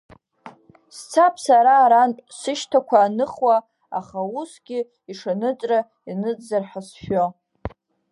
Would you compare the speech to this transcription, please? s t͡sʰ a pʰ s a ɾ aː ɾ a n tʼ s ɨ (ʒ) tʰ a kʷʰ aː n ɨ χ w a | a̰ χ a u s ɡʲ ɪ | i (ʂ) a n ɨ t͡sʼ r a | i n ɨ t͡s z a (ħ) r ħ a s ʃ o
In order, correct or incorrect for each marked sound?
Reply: incorrect, correct, incorrect

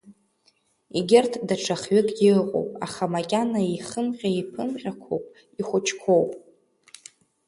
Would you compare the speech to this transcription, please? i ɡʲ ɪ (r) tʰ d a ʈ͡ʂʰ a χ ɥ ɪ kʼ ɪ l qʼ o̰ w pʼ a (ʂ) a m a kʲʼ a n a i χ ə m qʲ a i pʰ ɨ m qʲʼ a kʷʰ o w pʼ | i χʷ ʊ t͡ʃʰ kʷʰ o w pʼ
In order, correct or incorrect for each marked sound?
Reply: correct, incorrect

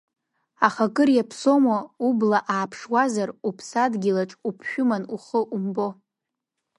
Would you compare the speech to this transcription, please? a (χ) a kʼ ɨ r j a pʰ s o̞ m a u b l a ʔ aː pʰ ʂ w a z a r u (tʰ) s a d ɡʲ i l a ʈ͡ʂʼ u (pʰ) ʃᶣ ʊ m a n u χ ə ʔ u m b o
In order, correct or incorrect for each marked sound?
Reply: correct, incorrect, correct

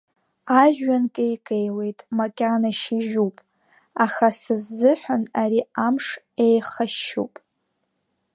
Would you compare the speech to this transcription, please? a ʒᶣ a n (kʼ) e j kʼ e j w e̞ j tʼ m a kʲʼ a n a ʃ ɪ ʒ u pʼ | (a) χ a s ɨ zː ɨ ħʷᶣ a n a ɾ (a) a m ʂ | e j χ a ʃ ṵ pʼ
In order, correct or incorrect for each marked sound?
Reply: correct, correct, incorrect

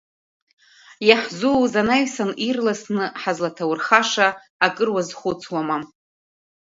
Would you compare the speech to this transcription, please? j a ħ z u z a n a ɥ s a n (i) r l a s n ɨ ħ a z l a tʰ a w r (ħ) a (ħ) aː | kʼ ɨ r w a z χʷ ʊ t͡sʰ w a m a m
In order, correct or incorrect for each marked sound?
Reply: correct, incorrect, incorrect

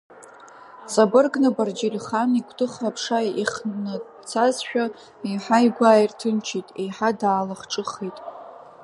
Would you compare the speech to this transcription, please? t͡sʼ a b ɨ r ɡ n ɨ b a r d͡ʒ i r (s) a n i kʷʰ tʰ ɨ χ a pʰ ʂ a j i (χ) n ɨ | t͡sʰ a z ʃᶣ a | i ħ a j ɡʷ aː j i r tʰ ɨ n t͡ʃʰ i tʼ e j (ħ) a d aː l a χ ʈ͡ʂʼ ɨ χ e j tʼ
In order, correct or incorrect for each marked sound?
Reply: incorrect, correct, correct

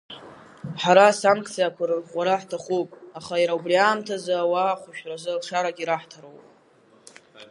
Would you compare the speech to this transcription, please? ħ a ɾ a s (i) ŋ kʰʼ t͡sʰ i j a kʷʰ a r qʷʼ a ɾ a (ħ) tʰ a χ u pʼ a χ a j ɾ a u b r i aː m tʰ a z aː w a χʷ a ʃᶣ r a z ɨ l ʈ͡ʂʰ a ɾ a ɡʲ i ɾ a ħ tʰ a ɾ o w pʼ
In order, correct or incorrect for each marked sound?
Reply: incorrect, correct

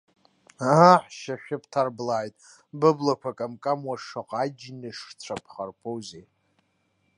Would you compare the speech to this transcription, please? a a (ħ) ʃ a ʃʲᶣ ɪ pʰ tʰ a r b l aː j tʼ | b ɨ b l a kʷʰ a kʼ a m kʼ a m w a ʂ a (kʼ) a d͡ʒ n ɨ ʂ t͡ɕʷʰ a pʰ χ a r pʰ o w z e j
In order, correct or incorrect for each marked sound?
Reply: correct, incorrect

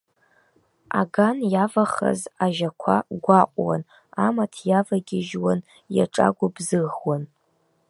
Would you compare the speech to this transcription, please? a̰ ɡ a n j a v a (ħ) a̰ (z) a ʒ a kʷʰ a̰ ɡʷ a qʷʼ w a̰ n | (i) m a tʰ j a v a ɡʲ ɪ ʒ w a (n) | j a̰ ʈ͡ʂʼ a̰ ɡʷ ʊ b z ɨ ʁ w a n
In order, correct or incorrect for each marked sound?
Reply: incorrect, correct, incorrect, correct

